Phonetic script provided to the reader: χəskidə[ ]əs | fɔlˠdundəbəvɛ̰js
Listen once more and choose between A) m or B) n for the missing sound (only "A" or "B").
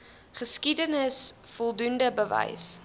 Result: B